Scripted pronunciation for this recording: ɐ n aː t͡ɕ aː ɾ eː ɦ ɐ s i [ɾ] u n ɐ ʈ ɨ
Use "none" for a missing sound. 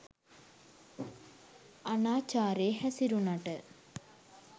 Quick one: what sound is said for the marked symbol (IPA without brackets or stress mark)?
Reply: ɾ